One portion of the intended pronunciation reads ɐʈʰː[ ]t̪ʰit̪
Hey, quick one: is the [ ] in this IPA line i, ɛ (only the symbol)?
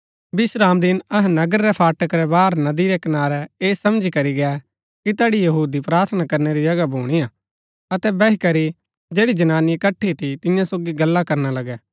i